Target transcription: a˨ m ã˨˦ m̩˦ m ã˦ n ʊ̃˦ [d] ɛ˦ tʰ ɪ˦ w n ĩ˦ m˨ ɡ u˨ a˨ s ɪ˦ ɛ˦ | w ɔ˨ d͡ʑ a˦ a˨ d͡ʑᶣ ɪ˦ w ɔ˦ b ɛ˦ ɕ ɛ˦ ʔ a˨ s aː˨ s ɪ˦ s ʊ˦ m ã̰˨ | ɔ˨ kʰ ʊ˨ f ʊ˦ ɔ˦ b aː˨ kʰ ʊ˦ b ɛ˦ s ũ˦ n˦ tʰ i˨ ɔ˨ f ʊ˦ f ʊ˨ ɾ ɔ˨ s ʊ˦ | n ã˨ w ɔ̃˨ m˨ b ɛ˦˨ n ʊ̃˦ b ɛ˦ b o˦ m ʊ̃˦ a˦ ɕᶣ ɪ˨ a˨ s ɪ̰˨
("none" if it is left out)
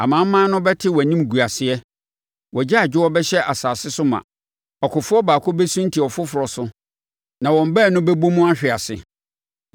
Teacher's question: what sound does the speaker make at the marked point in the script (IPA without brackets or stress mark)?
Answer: b